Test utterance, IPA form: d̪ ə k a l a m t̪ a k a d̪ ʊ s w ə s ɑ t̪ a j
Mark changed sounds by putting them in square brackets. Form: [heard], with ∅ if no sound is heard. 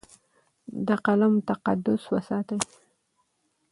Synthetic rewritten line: d̪ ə [q] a l a m t̪ a [q] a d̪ ʊ s w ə s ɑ t̪ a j